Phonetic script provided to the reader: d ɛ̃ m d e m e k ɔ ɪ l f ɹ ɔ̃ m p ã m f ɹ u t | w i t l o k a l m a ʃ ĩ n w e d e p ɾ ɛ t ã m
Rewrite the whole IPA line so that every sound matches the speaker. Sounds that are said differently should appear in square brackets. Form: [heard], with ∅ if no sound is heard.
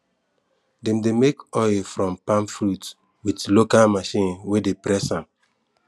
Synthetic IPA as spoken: d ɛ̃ m d e m e k ɔ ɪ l f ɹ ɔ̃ m p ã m f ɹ u t | w i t l o k a l m a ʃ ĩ n w e d e p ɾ ɛ [s] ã m

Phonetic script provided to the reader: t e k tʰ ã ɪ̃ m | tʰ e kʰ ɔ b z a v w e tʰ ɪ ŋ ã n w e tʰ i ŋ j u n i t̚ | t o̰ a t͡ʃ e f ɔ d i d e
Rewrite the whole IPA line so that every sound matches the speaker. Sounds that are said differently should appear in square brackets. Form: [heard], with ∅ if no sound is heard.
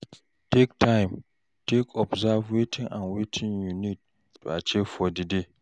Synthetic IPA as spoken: t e k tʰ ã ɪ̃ m | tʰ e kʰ ɔ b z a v w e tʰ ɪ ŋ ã n w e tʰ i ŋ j u n i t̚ | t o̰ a t͡ʃ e f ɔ d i d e

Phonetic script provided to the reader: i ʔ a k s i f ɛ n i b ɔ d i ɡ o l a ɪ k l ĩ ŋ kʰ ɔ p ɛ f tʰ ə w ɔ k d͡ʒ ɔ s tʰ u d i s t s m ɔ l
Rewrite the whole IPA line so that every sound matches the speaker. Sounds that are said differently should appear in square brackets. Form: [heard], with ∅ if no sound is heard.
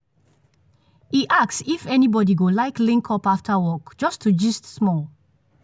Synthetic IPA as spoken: i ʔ a k s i f ɛ n i b ɔ d i ɡ o l a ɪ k l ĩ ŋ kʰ ɔ p [a] f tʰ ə w ɔ k d͡ʒ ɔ s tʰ u [d͡ʒ] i s t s m ɔ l

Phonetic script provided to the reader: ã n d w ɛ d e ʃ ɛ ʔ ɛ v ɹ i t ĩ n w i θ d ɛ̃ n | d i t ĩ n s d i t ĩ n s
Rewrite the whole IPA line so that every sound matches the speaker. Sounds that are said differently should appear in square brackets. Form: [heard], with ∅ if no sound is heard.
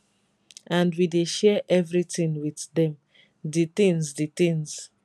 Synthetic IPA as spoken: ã n d w [i] d e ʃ ɛ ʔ ɛ v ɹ i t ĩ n w i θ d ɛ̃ [m] | d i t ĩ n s d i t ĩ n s

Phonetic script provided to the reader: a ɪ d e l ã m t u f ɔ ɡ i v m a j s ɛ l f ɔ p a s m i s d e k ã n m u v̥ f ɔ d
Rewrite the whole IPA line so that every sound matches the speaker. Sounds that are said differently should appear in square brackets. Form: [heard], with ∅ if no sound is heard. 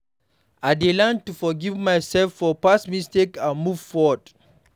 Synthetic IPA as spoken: a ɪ d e l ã [n] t u f ɔ ɡ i v m a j s ɛ l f ɔ p a s m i s [t] e k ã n m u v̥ f ɔ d

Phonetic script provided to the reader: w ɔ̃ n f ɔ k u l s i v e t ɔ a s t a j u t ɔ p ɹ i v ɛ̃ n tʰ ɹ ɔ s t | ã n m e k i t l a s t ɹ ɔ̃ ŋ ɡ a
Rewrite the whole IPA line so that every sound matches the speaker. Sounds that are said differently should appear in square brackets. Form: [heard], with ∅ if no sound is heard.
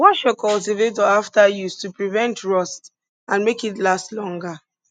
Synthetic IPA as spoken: w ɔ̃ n [ʃ] ɔ k [ɔ] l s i v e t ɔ a [f] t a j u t [u] p ɹ i v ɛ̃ n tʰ ɹ ɔ s t | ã n m e k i t l a s t [l] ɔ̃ ŋ ɡ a

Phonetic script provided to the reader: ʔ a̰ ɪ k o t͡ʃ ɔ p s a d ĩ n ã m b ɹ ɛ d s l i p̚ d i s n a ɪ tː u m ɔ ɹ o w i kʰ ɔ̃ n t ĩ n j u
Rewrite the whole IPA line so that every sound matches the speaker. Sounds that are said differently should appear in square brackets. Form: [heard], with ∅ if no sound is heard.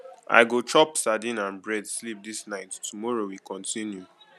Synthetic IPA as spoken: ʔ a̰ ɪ [ɡ] o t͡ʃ ɔ p s a d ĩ n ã [n] b ɹ ɛ d s l i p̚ d i s n a ɪ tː u m ɔ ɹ o w i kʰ ɔ̃ n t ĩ n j u

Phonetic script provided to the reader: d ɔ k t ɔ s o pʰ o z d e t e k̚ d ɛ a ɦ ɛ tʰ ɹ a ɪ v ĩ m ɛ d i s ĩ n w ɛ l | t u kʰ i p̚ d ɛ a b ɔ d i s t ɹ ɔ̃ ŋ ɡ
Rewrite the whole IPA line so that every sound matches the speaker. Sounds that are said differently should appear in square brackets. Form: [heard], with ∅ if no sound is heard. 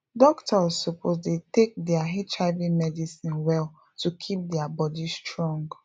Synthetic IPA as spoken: d ɔ k t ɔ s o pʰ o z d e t e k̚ d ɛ a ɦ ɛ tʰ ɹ a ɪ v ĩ m ɛ d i s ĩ n w ɛ l | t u kʰ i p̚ d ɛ a b ɔ d i s t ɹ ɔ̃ ŋ ɡ

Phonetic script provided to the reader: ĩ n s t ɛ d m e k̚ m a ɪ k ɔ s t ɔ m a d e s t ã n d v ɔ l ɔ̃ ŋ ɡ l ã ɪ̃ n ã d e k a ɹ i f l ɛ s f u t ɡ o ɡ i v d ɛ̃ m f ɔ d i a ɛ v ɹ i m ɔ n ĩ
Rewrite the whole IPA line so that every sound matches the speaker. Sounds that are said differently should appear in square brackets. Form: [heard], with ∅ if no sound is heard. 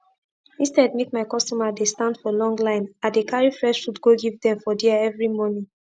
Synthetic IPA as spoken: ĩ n s t ɛ d m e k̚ m a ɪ k ɔ s t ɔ m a d e s t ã n d [f] ɔ l ɔ̃ ŋ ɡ l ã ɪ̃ n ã d e k a ɹ i f [ɹ] ɛ [ʃ] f u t ɡ o ɡ i v d ɛ̃ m f ɔ d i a ɛ v ɹ i m ɔ n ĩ

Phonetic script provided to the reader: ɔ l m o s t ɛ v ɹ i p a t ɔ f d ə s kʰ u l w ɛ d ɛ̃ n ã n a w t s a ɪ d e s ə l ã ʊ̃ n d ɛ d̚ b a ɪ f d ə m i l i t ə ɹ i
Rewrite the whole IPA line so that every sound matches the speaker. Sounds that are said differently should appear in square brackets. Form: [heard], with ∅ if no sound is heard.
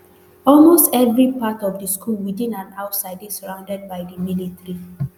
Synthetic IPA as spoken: ɔ l m o s t ɛ v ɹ i p a t ɔ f d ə s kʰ u l w [i] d [ĩ] n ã n a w t s a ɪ d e s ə [ɹ] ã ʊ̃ n d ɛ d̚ b a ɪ [∅] d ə m i l i t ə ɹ i

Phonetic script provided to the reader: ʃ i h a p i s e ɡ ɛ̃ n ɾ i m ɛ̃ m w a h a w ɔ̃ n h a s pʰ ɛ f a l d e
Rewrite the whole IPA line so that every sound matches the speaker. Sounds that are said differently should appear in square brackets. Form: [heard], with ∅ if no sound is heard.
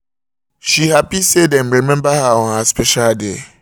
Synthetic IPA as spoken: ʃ i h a p i s e [d] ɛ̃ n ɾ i m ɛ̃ m [b] a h a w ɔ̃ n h a s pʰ ɛ [ʃ] a l d e

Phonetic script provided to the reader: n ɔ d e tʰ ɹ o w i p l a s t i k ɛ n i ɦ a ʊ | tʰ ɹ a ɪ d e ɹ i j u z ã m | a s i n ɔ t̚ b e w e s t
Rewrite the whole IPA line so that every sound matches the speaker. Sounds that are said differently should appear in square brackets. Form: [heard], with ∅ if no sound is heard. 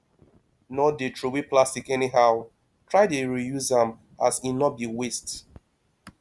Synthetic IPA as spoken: n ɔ d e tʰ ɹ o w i p l a s t i k ɛ n i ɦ a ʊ | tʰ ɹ a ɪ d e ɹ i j u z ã m | a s i n ɔ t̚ b [i] w e s t

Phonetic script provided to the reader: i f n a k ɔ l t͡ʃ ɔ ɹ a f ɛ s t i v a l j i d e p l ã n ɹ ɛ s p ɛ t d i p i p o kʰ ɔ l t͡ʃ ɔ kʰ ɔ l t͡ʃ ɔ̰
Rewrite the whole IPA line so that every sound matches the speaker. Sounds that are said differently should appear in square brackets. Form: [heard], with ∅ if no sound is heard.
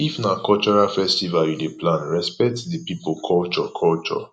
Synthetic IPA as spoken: i f n a k ɔ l t͡ʃ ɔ ɹ a f ɛ s t i v a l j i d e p l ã n ɹ ɛ s p ɛ t d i p i p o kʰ ɔ l t͡ʃ ɔ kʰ ɔ l t͡ʃ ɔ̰

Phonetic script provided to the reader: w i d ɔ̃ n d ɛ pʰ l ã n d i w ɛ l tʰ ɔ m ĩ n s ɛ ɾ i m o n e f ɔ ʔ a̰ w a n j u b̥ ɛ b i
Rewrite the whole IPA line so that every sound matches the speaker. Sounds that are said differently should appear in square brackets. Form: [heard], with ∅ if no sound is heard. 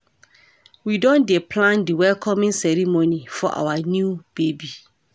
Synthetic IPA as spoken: w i d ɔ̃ n d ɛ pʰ l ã n d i w ɛ l [kʰ] ɔ m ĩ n s ɛ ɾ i m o n [i] f ɔ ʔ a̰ w a n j u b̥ [e] b i

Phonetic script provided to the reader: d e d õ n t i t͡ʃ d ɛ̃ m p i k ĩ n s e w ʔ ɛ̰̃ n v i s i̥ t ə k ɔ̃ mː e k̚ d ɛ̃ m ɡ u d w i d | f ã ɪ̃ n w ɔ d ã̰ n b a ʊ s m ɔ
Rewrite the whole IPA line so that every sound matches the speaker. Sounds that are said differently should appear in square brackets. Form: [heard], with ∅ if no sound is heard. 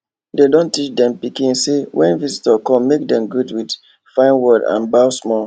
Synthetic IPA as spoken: d e d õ n t i t͡ʃ d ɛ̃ m p i k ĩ n s e w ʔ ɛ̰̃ n v i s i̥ t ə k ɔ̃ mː e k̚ d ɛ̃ m ɡ u d w i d | f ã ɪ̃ n w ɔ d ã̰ n b a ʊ s m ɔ

